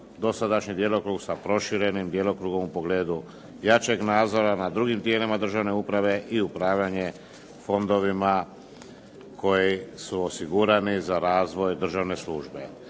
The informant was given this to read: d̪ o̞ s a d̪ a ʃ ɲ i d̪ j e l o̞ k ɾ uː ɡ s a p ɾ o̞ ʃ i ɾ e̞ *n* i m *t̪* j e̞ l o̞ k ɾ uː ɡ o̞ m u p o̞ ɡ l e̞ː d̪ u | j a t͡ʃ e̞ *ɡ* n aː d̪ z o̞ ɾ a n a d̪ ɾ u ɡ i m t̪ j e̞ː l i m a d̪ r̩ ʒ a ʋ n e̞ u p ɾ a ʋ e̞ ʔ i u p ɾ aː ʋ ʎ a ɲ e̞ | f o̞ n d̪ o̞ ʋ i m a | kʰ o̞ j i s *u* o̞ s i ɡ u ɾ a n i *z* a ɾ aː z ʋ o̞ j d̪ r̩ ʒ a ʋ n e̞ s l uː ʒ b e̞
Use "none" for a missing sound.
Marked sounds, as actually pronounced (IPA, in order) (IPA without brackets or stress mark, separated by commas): n, d̪, ɡ, u, z